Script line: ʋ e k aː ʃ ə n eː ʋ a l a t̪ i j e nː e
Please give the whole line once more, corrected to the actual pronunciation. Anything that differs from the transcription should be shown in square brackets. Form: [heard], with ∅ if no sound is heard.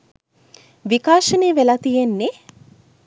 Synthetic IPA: ʋ [i] k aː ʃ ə n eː ʋ [e] l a t̪ i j e nː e